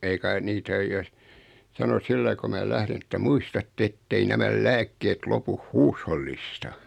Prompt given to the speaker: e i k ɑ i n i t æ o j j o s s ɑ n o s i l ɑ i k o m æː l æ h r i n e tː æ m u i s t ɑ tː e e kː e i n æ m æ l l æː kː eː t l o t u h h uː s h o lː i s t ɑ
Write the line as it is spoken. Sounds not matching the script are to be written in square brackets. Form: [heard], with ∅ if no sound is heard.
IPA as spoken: e i k ɑ i n i t æ o j j o s s ɑ n o s i [lː] ɑ i k o m æː l æ h r i n e tː æ m u i s t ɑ tː e e [tː] e i n æ m æ l l æː kː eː t l o [p] u h h uː s h o lː i s t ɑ